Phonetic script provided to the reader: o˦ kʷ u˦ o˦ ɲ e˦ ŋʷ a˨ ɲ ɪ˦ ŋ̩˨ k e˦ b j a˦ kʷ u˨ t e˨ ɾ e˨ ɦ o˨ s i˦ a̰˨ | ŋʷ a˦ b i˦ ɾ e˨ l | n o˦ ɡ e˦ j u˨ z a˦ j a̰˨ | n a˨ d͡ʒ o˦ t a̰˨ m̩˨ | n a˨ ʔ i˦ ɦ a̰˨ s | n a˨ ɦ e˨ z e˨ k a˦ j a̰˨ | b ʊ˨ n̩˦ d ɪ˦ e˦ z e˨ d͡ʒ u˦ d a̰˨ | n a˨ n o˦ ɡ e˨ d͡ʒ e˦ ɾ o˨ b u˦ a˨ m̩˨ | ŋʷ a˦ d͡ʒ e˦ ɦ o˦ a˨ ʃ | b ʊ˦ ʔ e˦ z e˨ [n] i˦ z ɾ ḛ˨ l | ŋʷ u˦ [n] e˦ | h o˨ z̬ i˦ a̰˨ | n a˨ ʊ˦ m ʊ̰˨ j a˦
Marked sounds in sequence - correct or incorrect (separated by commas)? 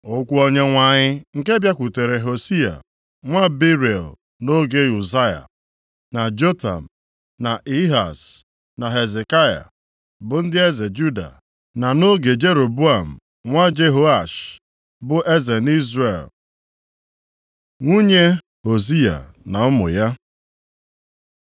correct, incorrect